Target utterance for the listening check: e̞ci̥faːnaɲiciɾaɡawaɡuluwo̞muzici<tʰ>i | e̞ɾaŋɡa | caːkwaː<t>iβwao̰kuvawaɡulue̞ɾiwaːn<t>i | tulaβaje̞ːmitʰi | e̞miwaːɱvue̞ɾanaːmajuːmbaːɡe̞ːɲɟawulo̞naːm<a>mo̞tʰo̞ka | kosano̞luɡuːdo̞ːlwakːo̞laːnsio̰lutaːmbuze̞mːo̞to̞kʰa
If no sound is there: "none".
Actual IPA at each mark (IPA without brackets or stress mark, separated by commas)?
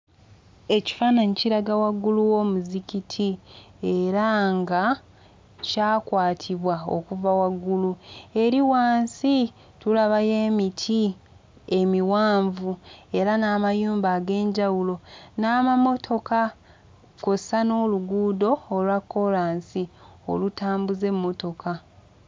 tʰ, tʰ, s, a